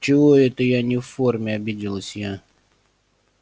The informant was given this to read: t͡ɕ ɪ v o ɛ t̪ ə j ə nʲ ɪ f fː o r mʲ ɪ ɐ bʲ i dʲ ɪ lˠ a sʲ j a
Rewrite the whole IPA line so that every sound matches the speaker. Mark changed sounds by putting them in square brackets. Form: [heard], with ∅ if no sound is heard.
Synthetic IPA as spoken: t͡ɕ ɪ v o ɛ t̪ ə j [a] nʲ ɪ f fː o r mʲ ɪ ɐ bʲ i dʲ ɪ lˠ [ə] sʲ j a